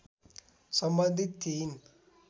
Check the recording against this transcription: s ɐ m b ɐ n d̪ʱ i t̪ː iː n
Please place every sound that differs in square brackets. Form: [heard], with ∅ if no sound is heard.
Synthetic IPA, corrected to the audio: s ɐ m b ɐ n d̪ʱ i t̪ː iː n